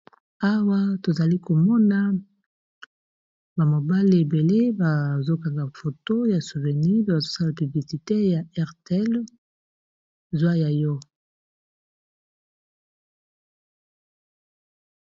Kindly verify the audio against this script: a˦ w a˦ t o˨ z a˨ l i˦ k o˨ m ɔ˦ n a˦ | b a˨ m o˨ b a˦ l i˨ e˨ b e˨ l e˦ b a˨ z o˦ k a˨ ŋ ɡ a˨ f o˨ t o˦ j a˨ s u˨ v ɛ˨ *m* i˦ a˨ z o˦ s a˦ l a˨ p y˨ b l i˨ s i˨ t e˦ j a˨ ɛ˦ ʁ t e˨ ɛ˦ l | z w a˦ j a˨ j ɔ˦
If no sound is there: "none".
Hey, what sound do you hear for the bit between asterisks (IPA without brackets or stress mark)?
n